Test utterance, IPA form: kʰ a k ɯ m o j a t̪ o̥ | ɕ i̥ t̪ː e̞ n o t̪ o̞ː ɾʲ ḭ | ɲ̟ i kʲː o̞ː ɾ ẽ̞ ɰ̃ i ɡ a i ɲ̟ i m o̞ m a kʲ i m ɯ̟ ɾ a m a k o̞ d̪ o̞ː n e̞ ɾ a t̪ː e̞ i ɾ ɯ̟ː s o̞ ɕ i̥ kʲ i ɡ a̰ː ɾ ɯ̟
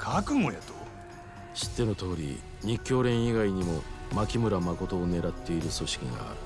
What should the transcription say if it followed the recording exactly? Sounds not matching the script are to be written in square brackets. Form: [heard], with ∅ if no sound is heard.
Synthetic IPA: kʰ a k ɯ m o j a t̪ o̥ | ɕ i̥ t̪ː e̞ n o t̪ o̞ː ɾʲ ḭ | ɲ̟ i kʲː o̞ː ɾ ẽ̞ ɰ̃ i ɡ a i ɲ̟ i m o̞ m a kʲ i m ɯ̟ ɾ a m a k o̞ [t̪] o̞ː n e̞ ɾ a t̪ː e̞ i ɾ [ɯ̟] s o̞ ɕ i̥ kʲ i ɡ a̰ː ɾ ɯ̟